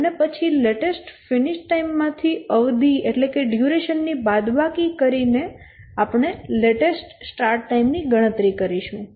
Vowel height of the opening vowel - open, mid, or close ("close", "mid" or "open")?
mid